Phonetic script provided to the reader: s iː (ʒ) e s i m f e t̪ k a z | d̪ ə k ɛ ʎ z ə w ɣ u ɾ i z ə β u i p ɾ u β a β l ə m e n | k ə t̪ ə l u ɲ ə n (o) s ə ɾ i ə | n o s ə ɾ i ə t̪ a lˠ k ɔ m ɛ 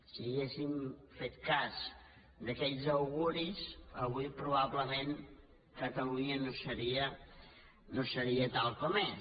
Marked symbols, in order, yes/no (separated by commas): no, yes